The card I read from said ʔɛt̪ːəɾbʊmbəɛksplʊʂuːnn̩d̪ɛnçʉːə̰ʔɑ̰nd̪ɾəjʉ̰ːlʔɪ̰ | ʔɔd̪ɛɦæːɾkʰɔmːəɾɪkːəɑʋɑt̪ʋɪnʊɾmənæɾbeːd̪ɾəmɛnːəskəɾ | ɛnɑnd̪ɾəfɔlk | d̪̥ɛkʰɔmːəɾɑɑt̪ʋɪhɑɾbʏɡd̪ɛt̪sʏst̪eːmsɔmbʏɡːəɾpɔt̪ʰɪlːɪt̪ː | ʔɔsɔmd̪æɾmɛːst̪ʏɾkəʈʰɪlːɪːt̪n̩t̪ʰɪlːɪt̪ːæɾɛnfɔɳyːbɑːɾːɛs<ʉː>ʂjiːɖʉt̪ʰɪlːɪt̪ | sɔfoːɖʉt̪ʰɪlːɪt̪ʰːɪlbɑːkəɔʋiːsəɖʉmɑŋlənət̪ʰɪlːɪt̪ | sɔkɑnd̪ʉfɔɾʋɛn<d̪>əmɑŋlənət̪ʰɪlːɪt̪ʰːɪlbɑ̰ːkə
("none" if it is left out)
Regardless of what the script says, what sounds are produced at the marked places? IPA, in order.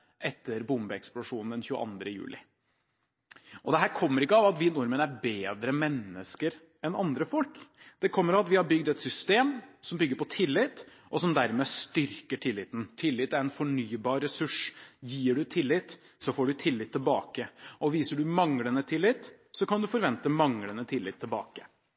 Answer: ʉ, t̪

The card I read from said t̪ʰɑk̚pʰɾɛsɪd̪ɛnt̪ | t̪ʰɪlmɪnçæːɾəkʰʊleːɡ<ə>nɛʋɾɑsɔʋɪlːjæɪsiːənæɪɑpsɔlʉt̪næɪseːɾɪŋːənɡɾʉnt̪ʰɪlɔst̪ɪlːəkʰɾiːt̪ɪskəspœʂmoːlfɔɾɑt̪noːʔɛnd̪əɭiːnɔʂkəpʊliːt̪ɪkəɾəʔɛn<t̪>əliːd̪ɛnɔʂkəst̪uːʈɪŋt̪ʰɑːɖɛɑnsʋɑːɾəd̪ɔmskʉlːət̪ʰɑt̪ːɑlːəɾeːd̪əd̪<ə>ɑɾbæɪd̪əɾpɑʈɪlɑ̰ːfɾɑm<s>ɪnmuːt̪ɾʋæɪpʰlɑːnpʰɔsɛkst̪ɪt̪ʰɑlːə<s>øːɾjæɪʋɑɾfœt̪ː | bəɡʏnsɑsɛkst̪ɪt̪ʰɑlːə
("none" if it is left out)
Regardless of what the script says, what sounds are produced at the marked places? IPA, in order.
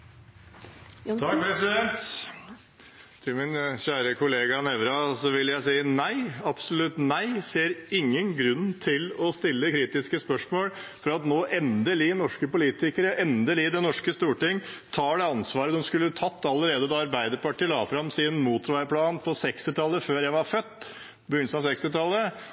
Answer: ɑ, d̪, ɑ, s, f

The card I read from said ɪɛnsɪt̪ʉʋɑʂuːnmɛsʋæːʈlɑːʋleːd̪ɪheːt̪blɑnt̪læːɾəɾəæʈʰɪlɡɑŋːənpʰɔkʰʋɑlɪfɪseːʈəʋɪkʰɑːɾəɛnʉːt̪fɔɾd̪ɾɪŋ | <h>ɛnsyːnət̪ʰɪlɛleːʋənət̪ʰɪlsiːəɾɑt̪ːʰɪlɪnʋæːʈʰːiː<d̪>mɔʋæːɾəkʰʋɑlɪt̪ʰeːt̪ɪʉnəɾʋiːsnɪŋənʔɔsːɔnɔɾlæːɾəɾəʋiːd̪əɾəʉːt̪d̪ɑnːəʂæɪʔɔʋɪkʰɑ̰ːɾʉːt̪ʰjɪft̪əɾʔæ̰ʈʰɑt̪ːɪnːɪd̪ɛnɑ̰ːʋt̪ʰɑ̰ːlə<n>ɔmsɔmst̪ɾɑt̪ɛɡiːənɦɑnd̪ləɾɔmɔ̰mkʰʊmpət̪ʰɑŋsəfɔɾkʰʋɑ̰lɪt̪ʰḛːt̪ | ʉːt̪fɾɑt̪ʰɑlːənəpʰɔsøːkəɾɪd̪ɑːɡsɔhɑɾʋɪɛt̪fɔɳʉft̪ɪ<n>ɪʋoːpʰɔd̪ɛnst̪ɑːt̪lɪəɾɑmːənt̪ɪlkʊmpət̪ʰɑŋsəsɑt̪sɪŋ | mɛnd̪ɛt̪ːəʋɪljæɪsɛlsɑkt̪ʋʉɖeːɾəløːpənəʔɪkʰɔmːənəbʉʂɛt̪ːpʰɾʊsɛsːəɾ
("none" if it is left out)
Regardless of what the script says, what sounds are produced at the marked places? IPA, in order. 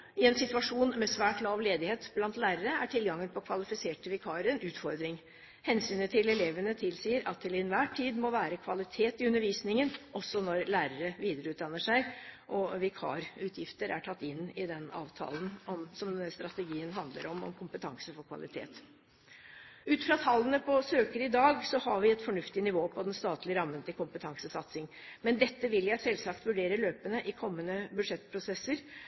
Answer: h, d̪, n, n

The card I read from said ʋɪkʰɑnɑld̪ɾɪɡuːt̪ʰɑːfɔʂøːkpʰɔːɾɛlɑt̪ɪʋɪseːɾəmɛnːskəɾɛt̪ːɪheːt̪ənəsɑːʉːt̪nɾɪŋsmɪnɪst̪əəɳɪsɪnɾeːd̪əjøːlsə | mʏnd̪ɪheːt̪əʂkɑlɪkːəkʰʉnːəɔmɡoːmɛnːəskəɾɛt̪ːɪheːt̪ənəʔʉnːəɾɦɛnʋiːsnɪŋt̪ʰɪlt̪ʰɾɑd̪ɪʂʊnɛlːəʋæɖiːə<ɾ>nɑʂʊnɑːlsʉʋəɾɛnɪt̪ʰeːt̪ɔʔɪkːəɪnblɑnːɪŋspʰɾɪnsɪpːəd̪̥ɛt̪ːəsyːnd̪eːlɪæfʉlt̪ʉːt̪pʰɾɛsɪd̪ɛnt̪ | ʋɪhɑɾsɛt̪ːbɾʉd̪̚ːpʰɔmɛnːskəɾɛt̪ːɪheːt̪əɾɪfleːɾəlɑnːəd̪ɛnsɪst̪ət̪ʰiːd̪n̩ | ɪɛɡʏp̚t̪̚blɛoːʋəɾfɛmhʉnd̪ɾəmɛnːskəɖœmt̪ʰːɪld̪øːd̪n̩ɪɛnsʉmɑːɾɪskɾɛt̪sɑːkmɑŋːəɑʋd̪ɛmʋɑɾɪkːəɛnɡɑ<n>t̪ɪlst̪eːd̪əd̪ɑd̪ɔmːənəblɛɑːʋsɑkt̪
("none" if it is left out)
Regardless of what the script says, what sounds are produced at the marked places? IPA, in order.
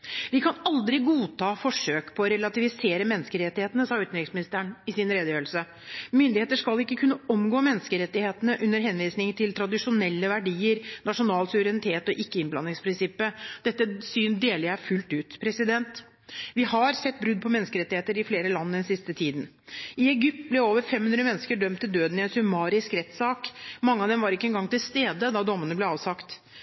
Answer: ɾ, ŋ

